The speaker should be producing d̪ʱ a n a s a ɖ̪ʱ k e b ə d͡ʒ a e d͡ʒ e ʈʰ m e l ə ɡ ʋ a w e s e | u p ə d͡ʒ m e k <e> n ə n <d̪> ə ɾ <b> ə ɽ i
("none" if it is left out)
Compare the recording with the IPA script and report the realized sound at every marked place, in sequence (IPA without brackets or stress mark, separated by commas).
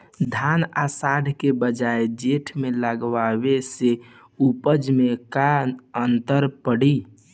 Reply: a, t̪, p